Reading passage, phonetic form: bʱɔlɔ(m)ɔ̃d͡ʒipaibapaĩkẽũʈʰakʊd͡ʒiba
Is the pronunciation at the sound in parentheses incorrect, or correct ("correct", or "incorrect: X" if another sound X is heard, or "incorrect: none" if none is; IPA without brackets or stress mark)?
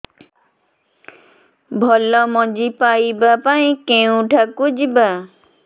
correct